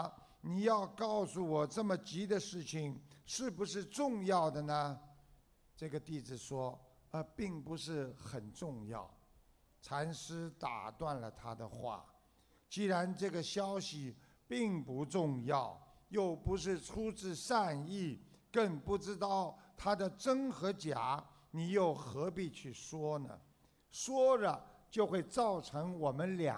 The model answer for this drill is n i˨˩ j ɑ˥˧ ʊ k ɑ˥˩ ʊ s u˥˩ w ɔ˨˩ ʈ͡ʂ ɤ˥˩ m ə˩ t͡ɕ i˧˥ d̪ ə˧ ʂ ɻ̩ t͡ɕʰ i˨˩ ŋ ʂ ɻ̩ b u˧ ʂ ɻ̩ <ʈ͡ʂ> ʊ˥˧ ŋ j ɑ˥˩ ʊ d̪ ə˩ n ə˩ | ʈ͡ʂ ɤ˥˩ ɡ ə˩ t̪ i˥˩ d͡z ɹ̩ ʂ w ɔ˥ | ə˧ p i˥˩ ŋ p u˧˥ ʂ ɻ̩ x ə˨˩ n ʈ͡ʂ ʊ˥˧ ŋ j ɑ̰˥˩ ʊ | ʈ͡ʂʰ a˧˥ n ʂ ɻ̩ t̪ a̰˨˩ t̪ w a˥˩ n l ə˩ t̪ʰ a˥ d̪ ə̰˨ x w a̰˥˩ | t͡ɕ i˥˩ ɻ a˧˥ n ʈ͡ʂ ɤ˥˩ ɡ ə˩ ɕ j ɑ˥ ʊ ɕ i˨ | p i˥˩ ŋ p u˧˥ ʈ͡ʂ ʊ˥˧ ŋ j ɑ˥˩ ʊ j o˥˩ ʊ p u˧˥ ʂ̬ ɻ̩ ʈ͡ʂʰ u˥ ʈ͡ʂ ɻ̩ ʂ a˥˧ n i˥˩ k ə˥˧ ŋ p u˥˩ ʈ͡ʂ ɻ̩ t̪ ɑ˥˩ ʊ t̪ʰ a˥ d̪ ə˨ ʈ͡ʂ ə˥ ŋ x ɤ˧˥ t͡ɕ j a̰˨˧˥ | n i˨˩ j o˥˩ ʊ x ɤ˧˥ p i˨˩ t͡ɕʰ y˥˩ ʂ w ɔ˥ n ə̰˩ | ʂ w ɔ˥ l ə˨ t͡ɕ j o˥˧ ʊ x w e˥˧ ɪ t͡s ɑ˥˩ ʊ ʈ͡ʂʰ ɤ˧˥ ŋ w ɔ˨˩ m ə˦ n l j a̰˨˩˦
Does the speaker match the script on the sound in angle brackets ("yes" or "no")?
yes